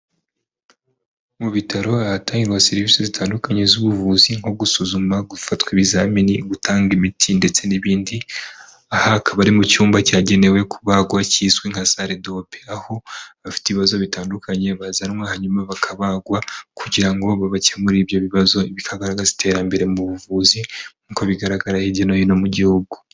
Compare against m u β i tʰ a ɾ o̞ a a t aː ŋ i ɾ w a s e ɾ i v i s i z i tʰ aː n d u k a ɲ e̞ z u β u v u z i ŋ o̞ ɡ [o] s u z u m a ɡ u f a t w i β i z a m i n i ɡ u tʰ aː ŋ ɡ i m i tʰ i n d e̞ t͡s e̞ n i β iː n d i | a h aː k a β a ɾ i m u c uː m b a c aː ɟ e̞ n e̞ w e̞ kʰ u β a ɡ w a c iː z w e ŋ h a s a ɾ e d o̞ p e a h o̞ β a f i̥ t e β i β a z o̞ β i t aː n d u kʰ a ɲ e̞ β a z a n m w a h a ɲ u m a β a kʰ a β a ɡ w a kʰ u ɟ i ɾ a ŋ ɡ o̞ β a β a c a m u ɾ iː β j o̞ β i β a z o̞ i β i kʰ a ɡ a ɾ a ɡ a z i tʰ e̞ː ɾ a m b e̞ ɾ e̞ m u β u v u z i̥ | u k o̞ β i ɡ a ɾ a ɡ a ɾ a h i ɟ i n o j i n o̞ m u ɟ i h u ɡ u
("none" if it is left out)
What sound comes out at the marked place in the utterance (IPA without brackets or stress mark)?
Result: u